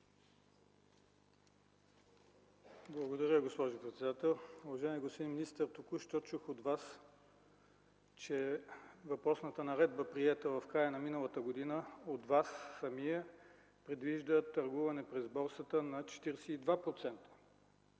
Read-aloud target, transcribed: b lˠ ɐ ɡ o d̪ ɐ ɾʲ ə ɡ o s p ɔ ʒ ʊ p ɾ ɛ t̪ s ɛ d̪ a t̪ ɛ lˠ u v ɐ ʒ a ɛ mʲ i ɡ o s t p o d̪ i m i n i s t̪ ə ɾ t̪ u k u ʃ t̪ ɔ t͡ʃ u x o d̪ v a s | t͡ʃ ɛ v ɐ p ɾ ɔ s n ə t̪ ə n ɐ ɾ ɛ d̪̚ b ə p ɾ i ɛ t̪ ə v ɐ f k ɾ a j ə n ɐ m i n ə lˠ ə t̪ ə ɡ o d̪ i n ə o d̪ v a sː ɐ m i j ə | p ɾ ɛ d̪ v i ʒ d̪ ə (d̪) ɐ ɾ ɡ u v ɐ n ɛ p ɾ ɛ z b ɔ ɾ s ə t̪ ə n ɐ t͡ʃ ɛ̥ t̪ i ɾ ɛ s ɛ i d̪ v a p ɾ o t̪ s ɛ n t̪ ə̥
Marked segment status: incorrect: t̪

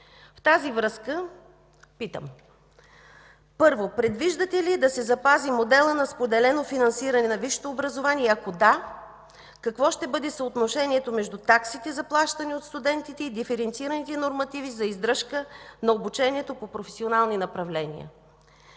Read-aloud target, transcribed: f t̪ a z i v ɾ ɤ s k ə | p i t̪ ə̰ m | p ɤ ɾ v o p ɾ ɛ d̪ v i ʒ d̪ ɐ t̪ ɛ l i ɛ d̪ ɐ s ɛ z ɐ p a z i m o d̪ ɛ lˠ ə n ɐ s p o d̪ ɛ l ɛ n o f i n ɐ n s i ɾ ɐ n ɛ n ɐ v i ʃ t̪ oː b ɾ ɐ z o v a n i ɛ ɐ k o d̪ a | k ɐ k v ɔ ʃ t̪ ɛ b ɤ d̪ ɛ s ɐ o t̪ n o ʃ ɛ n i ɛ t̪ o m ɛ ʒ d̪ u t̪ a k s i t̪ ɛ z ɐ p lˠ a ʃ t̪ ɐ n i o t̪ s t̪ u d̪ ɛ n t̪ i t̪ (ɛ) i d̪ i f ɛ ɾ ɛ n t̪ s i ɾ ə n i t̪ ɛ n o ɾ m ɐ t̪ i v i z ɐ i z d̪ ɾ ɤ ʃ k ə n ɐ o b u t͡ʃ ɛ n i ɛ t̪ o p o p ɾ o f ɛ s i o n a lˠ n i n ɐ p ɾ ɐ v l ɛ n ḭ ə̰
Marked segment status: correct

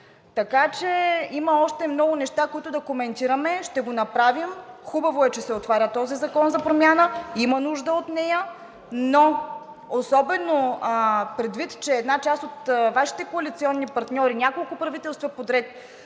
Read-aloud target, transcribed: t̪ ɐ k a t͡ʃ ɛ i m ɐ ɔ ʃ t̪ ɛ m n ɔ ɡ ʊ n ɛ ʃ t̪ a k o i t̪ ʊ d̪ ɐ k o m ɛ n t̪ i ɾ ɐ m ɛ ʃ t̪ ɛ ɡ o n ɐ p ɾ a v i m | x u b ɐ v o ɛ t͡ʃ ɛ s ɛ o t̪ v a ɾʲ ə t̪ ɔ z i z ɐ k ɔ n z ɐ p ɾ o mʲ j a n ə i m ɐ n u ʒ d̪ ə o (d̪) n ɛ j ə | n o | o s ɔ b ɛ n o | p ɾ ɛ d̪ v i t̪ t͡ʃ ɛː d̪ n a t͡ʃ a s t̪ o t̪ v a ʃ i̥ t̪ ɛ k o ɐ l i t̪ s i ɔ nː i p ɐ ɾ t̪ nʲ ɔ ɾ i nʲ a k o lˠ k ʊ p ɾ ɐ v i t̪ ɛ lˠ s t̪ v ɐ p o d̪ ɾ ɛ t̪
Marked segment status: incorrect: t̪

